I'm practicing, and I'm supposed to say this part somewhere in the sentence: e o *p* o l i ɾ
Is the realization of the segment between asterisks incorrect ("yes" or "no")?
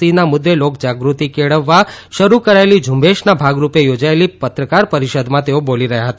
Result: yes